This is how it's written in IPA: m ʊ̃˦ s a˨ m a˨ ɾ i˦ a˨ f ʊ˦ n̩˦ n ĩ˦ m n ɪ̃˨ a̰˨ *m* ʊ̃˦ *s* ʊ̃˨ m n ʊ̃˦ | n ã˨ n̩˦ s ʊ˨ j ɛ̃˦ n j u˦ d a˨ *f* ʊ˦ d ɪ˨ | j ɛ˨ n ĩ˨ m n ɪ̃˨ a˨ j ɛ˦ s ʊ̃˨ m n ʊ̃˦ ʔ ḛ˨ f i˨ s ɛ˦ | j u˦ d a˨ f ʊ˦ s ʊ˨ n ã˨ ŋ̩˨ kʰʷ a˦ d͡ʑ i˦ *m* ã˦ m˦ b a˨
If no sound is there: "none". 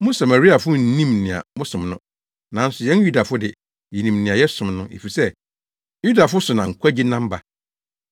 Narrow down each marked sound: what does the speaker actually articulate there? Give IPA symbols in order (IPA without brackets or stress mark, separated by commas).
m, s, f, n